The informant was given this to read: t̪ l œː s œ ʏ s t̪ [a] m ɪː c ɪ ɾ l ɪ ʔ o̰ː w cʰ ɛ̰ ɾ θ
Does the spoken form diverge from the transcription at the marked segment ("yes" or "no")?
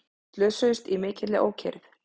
yes